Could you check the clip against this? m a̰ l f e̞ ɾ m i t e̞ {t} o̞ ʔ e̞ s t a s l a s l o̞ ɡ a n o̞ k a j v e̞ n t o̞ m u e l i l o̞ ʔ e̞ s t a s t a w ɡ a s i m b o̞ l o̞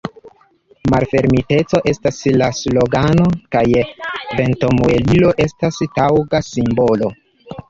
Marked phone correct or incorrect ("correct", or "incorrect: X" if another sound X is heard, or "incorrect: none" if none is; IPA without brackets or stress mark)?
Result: incorrect: t͡s